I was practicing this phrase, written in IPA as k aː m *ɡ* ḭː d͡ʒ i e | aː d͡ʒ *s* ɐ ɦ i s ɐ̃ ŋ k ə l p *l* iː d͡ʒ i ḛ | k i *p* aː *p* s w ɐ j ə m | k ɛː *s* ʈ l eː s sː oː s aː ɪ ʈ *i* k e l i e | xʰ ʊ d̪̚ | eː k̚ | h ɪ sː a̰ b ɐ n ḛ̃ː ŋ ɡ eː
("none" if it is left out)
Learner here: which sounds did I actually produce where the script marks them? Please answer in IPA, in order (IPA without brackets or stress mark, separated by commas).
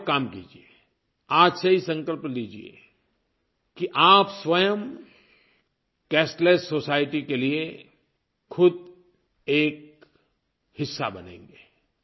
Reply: k, s, l, ʔ, p, s, i